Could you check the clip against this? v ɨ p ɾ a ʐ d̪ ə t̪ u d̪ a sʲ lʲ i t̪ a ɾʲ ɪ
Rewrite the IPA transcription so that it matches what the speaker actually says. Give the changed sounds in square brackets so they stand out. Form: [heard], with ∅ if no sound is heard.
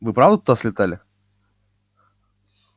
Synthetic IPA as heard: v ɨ p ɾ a [v] d̪ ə t̪ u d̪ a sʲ lʲ [ɪ] t̪ a [lʲ] ɪ